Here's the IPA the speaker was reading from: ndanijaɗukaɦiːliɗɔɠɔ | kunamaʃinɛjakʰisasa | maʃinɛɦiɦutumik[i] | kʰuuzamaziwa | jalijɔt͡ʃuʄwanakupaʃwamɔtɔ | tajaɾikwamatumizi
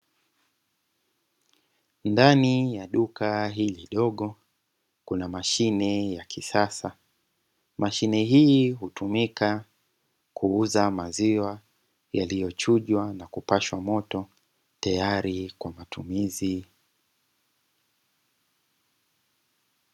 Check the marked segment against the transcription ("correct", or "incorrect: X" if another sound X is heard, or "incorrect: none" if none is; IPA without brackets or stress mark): incorrect: a